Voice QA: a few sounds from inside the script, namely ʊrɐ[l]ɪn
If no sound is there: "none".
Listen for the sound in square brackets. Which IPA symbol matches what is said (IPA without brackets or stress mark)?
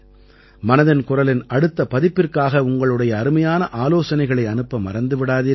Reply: l